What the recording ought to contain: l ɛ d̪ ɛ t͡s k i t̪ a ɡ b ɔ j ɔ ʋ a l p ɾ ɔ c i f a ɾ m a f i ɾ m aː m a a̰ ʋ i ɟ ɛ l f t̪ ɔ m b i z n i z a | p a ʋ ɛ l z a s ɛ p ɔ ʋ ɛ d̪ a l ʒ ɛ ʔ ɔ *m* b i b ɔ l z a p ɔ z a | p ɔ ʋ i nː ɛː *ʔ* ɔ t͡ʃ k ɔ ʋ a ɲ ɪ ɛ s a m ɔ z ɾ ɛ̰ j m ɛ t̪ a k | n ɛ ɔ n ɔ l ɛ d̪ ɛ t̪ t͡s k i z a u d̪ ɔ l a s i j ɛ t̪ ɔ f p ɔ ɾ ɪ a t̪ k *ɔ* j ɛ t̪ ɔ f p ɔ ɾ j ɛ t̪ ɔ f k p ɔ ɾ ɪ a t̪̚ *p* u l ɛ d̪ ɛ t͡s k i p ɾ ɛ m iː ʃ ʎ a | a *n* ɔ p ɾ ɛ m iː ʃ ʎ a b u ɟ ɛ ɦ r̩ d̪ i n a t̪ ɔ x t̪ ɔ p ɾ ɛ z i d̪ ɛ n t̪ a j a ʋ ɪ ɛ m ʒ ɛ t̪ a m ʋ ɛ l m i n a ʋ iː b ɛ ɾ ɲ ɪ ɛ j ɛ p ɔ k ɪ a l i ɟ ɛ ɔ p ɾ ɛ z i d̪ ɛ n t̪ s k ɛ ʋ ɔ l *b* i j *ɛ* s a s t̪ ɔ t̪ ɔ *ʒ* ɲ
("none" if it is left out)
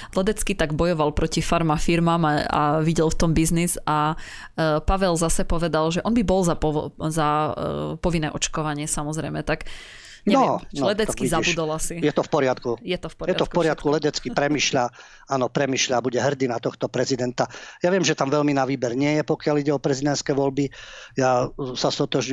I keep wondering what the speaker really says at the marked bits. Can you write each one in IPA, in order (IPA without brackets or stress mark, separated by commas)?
n, ʔ, u, k, n, b, a, ʒ